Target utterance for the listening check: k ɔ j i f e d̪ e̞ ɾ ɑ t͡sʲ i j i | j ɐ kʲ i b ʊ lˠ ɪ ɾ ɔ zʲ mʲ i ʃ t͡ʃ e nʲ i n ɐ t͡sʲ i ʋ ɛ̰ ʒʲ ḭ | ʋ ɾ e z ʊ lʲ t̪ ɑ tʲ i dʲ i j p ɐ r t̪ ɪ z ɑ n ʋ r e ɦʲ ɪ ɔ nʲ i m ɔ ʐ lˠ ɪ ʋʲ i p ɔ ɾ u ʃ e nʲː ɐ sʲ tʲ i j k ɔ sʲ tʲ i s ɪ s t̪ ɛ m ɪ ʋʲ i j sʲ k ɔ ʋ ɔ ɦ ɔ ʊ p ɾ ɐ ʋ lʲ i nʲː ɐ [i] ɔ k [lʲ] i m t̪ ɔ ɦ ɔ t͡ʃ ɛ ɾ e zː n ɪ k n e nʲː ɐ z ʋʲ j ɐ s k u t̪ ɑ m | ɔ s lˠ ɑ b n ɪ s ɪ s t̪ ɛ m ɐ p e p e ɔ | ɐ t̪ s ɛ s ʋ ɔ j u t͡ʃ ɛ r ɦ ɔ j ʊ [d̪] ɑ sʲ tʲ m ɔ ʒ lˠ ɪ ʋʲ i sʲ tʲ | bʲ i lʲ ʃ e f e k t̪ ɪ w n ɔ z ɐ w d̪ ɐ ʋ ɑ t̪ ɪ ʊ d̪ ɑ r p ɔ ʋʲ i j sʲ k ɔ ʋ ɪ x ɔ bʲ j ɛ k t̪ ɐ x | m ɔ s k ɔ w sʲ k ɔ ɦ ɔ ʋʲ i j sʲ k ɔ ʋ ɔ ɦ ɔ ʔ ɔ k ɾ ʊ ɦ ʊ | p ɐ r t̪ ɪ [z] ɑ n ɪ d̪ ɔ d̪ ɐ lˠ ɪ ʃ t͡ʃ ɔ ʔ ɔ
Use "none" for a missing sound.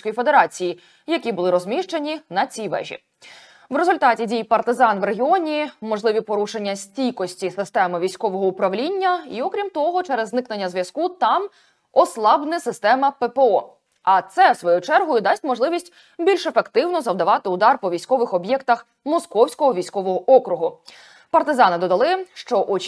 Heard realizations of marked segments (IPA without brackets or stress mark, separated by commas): i, ɾʲ, d̪, z